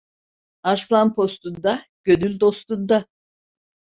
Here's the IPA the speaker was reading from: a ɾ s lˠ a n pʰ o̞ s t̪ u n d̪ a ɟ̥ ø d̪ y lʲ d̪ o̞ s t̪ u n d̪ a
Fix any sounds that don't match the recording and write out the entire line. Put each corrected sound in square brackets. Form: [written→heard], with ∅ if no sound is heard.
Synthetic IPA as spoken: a ɾ s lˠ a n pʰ o̞ s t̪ u n d̪ a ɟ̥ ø d̪ y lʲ d̪ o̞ s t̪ u n d̪ a